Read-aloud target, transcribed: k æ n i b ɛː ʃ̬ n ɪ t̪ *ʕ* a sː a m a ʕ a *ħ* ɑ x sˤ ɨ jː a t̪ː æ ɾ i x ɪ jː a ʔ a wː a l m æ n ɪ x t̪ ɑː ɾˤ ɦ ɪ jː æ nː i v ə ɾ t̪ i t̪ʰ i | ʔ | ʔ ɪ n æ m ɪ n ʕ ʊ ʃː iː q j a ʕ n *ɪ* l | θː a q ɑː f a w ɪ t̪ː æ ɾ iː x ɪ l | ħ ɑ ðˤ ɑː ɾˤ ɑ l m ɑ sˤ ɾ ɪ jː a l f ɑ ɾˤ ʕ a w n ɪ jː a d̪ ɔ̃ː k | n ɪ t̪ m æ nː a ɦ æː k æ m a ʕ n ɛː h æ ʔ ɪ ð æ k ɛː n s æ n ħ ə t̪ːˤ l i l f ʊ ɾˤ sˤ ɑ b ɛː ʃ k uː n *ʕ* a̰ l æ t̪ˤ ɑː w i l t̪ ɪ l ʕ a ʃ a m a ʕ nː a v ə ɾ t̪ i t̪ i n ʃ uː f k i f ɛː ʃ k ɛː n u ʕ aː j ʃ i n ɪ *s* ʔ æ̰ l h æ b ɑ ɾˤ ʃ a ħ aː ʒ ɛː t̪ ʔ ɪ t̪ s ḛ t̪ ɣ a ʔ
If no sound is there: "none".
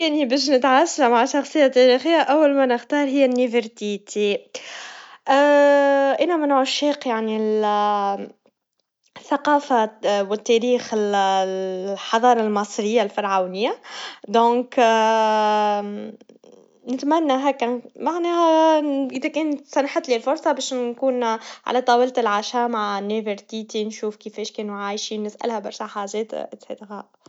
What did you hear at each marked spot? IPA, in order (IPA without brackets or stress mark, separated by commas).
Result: ʕ, ʃ, i, ʕ, s